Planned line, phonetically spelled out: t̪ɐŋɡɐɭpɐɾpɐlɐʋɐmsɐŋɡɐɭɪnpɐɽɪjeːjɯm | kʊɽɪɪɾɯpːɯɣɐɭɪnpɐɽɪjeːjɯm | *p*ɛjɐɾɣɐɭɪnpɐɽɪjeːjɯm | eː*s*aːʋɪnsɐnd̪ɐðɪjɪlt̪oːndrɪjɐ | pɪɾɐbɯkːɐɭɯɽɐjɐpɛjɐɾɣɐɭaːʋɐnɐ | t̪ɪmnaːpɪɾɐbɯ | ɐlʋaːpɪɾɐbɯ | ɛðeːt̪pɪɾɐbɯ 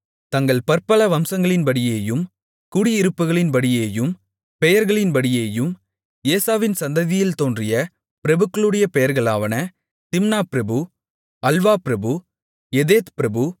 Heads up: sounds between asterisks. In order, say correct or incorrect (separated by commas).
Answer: correct, correct